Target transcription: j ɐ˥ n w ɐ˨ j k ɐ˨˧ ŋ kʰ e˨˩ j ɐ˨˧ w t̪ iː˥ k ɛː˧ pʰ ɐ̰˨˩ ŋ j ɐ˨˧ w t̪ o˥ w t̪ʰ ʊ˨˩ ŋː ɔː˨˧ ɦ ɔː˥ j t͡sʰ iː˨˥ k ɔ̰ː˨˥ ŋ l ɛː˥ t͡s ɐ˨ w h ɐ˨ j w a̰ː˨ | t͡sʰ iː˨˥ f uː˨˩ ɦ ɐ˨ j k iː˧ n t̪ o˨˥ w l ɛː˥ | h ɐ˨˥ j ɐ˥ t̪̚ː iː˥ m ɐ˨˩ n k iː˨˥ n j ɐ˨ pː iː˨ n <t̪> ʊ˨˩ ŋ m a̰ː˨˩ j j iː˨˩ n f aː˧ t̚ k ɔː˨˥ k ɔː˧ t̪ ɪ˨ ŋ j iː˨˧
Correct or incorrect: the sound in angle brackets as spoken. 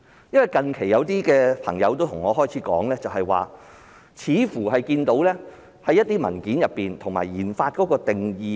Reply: incorrect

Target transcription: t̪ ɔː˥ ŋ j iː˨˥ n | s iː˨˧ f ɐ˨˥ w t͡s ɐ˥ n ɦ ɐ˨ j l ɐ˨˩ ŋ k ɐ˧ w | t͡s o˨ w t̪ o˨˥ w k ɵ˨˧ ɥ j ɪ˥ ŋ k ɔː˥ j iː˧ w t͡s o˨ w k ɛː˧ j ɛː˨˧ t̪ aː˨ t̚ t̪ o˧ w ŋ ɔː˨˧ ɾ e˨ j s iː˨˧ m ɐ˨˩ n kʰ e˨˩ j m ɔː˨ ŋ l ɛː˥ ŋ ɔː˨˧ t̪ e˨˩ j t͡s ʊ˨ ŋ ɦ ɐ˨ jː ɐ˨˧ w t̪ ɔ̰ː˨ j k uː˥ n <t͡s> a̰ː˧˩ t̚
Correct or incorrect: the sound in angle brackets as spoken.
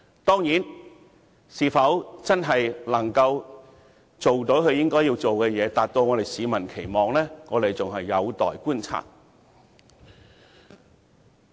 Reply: incorrect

